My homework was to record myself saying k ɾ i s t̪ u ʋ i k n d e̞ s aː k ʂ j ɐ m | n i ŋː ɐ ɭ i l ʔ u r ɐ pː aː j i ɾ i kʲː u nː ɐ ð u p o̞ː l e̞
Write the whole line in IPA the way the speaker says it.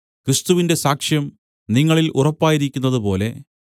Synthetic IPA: k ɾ i s t̪ u ʋ i n d e̞ s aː k ʂ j ɐ m | n i ŋː ɐ ɭ i l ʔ u r ɐ pː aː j i ɾ i kʲː u nː ɐ ð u p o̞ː l e̞